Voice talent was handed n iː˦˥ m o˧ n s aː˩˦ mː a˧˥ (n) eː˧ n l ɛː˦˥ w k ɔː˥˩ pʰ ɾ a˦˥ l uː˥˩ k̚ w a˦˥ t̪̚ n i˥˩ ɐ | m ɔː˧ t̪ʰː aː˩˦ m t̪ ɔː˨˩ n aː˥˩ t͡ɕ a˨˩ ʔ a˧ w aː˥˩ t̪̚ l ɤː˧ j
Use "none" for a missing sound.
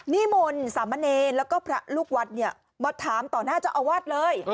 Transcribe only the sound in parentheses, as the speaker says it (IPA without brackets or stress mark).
n